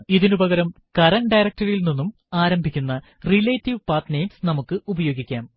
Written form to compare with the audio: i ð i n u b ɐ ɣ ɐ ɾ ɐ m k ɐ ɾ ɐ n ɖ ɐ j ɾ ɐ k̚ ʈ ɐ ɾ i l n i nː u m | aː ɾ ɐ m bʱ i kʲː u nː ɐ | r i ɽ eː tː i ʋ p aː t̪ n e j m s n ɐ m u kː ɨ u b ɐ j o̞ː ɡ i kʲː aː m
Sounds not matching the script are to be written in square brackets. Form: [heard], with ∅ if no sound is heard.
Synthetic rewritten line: i ð i n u b ɐ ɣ ɐ ɾ ɐ m k ɐ ɾ ɐ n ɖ ɐ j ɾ ɐ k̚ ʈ ɐ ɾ i l n i nː u m | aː ɾ ɐ m bʱ i kʲː u nː ɐ | r i [l] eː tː i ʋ p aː t̪ n e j m s n ɐ m u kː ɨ u b ɐ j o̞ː ɡ i kʲː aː m